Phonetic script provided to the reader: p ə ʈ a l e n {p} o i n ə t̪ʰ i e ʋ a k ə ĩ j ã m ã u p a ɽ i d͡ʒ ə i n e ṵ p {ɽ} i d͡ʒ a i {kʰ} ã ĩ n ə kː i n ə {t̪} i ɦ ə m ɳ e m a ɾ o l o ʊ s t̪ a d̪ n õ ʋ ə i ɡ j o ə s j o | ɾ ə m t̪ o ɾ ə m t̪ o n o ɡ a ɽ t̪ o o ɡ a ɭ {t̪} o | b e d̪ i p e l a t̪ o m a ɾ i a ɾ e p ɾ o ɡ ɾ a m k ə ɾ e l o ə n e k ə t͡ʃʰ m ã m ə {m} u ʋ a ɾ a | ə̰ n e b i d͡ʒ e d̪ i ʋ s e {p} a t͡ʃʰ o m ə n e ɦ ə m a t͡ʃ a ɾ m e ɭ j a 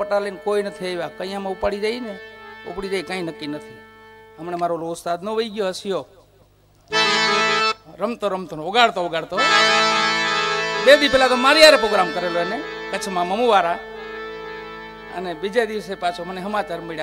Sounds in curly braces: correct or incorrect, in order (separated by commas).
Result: incorrect, correct, incorrect, incorrect, correct, correct, correct